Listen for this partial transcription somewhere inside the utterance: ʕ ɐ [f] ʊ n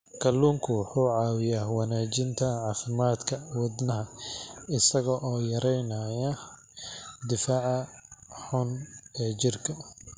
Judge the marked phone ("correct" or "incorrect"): incorrect